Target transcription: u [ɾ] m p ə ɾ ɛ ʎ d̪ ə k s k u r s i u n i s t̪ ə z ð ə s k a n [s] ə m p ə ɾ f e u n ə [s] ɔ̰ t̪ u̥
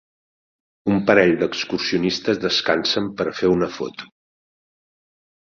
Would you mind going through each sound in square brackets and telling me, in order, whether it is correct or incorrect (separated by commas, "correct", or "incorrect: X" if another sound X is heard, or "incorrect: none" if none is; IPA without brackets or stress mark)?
incorrect: none, correct, incorrect: f